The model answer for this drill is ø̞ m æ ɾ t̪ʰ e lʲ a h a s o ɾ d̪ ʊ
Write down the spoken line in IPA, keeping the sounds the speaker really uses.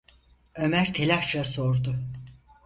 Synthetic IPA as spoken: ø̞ m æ ɾ t̪ʰ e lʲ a ʃ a s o ɾ d̪ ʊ